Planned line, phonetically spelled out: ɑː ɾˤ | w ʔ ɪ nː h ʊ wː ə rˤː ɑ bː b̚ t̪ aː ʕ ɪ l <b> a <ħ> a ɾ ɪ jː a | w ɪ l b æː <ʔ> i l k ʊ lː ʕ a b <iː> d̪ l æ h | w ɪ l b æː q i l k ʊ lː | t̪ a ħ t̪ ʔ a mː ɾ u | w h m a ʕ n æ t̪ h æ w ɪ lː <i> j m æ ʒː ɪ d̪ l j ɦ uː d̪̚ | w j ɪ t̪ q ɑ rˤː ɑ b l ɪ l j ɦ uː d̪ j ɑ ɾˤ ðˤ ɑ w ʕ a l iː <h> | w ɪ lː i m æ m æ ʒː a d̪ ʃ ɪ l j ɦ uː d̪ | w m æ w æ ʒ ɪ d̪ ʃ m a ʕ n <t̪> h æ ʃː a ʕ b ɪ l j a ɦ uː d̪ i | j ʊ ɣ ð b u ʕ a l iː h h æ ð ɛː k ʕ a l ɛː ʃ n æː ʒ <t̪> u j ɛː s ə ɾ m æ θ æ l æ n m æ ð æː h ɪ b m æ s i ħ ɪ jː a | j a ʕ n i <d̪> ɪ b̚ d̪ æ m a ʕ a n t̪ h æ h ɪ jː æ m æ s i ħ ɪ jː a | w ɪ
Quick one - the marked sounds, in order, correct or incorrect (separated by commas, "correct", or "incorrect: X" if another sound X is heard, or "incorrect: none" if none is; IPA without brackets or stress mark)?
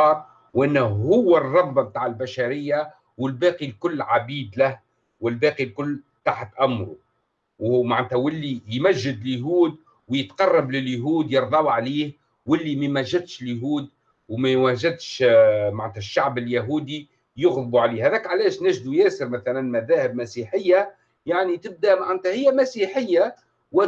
correct, incorrect: ʃ, incorrect: q, correct, correct, correct, correct, incorrect: d̪, incorrect: t̪